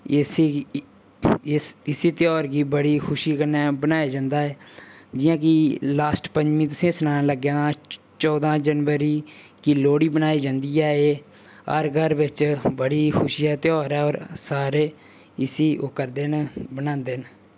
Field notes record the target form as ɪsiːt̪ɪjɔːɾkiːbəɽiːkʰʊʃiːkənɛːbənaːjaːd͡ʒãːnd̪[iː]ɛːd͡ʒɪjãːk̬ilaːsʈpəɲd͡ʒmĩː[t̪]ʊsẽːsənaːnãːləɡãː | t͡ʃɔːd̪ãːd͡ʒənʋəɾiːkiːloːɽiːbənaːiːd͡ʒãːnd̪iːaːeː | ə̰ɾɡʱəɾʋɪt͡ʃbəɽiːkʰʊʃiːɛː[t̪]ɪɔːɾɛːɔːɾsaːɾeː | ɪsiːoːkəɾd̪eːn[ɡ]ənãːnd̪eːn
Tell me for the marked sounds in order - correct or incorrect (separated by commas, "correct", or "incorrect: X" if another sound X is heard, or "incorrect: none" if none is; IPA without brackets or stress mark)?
incorrect: aː, correct, correct, incorrect: b